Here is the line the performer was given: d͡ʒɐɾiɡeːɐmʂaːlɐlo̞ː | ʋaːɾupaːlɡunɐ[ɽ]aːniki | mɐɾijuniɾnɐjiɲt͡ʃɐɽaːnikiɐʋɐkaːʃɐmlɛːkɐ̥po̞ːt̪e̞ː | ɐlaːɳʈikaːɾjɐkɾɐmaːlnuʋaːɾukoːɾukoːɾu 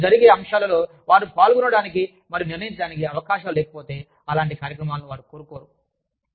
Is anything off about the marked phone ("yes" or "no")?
no